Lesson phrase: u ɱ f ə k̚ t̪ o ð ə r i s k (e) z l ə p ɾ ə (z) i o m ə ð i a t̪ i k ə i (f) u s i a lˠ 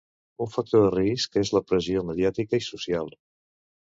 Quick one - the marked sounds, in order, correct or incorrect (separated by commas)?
correct, correct, incorrect